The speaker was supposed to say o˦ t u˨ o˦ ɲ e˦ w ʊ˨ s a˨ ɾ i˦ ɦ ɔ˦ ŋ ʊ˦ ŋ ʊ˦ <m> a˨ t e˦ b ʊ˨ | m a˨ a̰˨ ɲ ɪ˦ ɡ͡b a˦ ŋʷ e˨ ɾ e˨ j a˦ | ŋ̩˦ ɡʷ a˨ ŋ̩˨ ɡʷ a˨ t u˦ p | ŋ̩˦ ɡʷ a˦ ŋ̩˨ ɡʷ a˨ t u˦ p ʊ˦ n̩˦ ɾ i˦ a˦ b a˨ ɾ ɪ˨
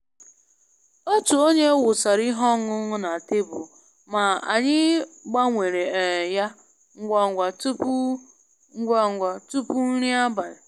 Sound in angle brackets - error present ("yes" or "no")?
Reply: yes